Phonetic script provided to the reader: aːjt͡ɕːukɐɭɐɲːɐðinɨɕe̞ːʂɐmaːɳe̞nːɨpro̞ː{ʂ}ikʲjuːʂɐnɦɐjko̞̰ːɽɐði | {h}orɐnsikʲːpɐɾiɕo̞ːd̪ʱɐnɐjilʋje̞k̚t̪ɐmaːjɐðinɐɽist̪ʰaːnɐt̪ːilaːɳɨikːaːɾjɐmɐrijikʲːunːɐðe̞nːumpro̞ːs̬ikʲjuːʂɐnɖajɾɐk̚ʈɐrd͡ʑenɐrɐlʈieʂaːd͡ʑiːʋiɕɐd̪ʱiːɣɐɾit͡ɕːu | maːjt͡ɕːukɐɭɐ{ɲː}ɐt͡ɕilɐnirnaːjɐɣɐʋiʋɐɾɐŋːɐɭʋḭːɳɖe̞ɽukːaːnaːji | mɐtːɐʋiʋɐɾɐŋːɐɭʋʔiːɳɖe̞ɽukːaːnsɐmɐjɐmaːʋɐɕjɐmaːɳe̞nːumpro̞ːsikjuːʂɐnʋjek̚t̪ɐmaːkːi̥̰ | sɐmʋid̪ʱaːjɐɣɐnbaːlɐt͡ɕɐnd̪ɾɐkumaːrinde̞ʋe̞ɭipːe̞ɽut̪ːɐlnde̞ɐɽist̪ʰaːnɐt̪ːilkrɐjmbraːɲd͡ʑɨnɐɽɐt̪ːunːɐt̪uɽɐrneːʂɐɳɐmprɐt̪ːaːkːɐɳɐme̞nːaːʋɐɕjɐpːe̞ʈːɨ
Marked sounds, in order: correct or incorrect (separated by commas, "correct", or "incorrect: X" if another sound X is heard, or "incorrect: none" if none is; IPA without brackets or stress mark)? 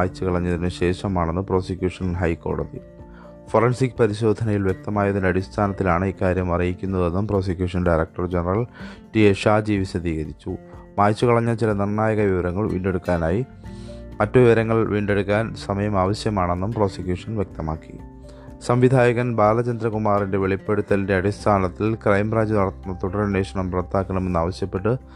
incorrect: s, incorrect: f, correct